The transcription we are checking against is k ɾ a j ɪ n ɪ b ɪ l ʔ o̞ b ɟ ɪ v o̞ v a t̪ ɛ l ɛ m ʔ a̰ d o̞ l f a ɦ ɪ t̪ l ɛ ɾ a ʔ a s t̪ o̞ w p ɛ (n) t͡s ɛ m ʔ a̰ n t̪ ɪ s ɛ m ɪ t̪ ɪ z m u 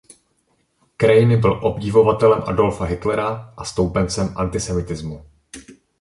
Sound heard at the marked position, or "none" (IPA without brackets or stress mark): n